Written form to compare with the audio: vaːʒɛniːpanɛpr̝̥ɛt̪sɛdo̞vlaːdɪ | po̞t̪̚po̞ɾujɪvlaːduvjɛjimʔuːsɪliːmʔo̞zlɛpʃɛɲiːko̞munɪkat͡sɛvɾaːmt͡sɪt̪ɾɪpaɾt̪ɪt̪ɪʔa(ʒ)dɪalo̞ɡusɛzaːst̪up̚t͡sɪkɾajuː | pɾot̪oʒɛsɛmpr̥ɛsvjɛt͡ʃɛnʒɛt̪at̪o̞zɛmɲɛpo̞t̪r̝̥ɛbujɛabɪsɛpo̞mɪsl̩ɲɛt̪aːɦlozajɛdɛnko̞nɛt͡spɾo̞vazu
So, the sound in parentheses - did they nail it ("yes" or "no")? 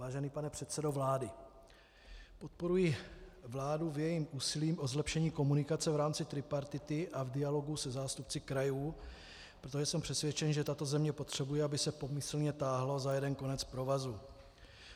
no